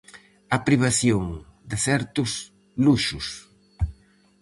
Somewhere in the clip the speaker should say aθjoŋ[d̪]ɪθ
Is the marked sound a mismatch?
no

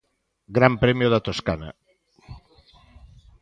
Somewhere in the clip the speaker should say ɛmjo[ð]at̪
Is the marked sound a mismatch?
no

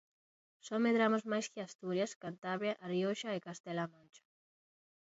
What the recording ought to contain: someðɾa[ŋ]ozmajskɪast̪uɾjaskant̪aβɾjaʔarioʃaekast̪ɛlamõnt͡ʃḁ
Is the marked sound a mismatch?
yes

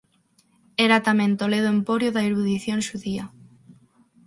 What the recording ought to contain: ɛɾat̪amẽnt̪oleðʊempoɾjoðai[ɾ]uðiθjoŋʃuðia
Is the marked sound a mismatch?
no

